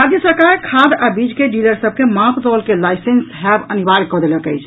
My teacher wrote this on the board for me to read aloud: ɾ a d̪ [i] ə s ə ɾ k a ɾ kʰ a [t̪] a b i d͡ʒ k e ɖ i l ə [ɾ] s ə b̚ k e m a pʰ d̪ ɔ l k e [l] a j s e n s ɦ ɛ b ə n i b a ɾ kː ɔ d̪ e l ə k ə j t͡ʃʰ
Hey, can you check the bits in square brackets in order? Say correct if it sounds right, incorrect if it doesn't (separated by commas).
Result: incorrect, incorrect, correct, correct